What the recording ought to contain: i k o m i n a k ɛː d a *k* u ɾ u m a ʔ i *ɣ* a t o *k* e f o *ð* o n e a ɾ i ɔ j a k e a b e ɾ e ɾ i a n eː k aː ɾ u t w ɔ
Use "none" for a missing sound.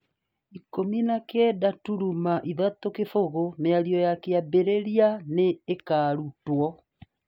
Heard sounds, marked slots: t, ð, k, ɣ

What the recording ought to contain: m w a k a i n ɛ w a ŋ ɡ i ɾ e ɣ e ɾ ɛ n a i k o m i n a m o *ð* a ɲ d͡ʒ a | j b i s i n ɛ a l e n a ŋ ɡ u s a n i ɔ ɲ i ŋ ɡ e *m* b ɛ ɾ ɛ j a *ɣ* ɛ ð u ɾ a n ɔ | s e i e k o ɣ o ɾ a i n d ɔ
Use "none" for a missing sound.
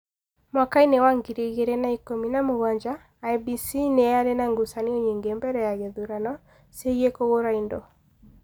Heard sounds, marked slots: ɣ, m, ɣ

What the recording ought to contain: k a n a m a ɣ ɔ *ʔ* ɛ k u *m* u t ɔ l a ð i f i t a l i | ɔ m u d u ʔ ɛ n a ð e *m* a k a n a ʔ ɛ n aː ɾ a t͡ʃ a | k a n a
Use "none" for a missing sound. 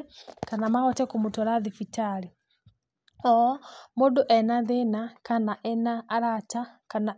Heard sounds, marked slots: t, m, n

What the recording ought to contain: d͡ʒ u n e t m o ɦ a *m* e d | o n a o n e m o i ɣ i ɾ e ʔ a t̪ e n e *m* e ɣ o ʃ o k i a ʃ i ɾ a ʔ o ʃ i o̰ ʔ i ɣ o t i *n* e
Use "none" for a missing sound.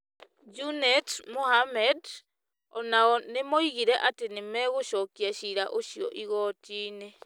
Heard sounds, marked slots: m, m, n

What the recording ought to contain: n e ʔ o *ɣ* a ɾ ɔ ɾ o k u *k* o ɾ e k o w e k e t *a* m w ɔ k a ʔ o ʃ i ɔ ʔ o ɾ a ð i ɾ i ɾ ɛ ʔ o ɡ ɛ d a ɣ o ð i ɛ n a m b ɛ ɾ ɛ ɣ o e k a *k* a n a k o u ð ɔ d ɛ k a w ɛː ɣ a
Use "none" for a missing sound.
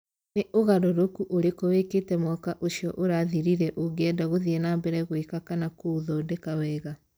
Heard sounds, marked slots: ɣ, ʔ, ɛ, k

